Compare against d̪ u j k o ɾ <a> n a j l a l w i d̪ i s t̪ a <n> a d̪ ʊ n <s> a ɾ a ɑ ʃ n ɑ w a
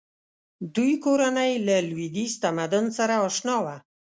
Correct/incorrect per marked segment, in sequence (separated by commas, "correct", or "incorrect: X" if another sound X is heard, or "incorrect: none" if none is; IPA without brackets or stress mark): correct, incorrect: m, correct